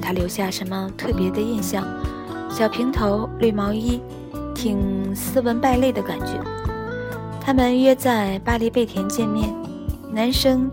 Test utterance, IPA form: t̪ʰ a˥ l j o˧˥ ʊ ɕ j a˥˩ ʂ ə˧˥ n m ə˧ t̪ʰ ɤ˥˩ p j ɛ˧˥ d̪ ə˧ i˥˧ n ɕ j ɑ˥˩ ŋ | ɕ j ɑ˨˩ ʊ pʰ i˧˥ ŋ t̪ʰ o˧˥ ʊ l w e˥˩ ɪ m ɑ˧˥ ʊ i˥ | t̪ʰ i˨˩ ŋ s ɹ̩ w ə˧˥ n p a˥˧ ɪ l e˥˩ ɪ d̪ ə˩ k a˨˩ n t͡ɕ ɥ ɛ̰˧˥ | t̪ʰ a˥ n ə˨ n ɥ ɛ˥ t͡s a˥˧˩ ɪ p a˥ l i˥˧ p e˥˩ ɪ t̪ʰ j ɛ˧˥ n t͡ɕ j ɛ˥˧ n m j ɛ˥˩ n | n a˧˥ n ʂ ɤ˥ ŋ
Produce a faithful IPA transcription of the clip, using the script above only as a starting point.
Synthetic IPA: t̪ʰ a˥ l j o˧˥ ʊ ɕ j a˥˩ ʂ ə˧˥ n m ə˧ t̪ʰ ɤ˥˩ p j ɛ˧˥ d̪ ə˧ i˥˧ n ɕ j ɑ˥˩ ŋ | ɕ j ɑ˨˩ ʊ pʰ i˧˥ ŋ t̪ʰ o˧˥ ʊ l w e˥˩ ɪ m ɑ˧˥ ʊ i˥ | t̪ʰ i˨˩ ŋ s ɹ̩ w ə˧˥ n p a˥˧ ɪ l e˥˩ ɪ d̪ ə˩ k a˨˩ n t͡ɕ ɥ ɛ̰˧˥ | t̪ʰ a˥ m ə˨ n ɥ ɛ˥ t͡s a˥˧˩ ɪ p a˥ l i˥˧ p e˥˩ ɪ t̪ʰ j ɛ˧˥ n t͡ɕ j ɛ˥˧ n m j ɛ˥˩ n | n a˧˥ n ʂ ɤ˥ ŋ